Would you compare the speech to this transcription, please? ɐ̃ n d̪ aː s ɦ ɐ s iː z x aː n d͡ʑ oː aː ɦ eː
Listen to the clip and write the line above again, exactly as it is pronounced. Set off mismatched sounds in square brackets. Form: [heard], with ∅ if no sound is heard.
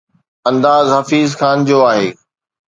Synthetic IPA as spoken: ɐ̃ n d̪ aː [z] ɦ ɐ [f] iː z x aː n d͡ʑ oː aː ɦ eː